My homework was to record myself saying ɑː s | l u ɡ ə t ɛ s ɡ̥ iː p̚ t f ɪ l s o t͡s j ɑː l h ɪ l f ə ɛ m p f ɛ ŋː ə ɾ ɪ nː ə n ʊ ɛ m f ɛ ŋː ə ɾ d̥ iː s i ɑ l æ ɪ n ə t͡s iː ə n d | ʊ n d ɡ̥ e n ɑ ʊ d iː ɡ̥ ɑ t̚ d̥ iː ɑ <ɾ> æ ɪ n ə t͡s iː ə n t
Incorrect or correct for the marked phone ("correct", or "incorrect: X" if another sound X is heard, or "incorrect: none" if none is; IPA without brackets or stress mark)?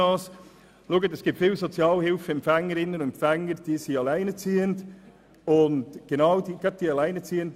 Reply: incorrect: l